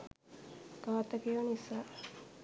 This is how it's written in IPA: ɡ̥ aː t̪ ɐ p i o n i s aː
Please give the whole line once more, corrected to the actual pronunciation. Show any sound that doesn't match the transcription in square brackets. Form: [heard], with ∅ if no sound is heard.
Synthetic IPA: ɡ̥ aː t̪ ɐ [k] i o n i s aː

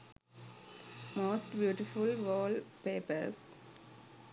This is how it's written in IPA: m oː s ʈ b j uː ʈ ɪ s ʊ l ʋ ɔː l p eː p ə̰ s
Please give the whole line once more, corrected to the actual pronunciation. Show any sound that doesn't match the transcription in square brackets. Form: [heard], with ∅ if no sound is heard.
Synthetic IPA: m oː s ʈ b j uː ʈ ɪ [f] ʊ l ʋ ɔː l p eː p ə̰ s

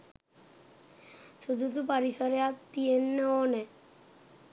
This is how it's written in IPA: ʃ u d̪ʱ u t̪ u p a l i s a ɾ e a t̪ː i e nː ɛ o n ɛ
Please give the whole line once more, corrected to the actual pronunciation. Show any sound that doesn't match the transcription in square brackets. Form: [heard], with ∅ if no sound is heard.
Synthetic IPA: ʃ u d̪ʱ u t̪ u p a [ɾ] i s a ɾ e a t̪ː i e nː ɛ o n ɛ

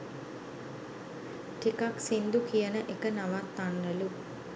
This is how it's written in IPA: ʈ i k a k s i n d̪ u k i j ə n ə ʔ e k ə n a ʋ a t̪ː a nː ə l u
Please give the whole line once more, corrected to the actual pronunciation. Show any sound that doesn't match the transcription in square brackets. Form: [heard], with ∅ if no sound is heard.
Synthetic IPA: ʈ i k a k s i n d̪ u k i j ə n ə ʔ e k ə n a ʋ a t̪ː a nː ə l u

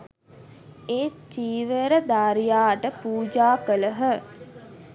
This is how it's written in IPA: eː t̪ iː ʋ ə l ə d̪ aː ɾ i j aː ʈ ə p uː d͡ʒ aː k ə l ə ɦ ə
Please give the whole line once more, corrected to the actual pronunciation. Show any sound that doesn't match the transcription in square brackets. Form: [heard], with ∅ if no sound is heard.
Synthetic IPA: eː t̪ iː ʋ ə [ɾ] ə d̪ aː ɾ i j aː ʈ ə p uː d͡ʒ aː k ə l ə ɦ ə

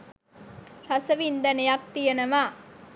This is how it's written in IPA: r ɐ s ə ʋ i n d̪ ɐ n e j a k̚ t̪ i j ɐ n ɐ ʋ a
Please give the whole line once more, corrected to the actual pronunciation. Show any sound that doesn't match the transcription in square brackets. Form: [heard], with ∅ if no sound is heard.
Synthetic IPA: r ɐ s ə ʋ i n d̪ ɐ n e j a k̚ t̪ i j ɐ n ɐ ʋ a

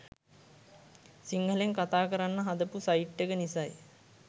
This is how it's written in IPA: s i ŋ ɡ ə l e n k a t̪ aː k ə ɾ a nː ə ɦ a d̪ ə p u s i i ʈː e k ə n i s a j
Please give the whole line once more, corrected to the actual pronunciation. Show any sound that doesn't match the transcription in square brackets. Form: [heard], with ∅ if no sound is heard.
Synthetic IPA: s i ŋ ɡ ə l e [ŋ] k a t̪ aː k ə ɾ a nː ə ɦ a d̪ ə p u s [a] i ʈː e k ə n i s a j

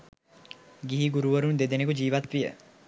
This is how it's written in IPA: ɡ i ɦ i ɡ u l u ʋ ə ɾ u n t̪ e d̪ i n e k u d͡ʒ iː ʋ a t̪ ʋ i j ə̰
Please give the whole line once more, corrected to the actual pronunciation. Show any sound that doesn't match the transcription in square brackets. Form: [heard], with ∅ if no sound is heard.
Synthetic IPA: ɡ i ɦ i ɡ u [ɾ] u ʋ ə ɾ u n [d̪] e d̪ [e] n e k u d͡ʒ iː ʋ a t̪ ʋ i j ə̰

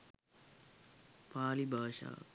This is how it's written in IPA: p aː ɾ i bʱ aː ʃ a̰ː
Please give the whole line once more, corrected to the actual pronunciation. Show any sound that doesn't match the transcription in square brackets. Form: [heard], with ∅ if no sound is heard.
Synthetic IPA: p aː [l] i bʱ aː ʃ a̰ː

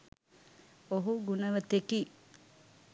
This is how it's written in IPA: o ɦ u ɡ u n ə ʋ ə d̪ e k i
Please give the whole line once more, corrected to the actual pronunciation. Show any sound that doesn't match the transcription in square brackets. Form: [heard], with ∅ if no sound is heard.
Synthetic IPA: o ɦ u ɡ u n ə ʋ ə [t̪] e k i

